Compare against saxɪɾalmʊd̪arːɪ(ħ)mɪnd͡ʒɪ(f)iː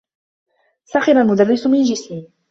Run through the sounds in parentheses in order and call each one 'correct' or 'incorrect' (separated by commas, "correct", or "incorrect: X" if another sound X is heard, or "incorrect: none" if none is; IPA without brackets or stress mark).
incorrect: s, incorrect: s